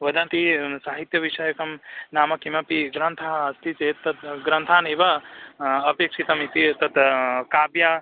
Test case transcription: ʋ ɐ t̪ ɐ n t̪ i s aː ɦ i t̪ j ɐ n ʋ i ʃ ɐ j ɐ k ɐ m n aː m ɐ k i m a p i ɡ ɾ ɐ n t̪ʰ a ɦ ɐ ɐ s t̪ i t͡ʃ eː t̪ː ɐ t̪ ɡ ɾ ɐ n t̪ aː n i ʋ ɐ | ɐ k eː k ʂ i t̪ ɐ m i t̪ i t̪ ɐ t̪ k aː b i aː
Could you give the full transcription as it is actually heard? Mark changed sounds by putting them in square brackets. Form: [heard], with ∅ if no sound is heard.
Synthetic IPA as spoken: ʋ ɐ [d̪] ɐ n t̪ i s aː ɦ i t̪ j ɐ [∅] ʋ i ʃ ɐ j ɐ k ɐ m n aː m ɐ k i m [ɐ] p i ɡ ɾ ɐ n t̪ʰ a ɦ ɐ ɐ s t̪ i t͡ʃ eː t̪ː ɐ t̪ ɡ ɾ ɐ n [t̪ʰ] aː n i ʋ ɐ | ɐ [p] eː k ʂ i t̪ ɐ m i t̪ i t̪ ɐ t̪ k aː b [j] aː